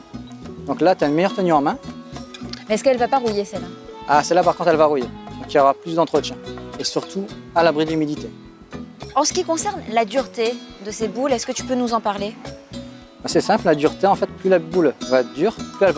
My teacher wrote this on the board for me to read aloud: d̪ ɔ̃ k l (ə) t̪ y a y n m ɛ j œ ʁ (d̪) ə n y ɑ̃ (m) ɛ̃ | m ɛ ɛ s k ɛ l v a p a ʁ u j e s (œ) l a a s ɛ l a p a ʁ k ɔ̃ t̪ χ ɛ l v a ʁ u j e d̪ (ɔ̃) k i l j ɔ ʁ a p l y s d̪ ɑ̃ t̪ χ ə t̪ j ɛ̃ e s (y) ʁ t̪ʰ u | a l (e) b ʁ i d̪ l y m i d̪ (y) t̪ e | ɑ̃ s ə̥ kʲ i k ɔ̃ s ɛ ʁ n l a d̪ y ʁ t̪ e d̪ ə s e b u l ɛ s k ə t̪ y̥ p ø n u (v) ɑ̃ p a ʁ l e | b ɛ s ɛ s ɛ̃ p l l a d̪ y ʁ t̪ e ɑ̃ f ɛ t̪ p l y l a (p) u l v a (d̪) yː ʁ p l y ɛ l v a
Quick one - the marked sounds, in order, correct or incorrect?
incorrect, incorrect, correct, incorrect, correct, correct, incorrect, incorrect, incorrect, incorrect, correct

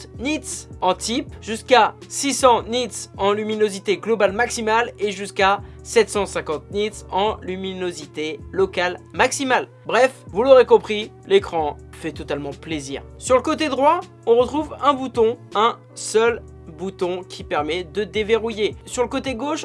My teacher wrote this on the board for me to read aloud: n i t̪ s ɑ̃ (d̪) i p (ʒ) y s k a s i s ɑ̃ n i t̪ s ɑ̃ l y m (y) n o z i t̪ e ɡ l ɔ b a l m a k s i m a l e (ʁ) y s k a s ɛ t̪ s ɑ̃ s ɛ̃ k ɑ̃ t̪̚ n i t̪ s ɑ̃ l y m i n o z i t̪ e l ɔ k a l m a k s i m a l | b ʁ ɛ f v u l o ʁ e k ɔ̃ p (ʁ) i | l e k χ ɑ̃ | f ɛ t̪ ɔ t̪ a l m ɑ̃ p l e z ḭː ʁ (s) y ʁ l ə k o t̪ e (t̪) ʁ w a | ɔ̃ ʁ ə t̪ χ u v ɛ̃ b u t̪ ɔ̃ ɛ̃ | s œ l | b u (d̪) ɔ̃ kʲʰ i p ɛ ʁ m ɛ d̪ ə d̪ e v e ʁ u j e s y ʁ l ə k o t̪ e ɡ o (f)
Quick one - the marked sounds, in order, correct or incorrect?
incorrect, correct, incorrect, incorrect, incorrect, correct, incorrect, incorrect, incorrect

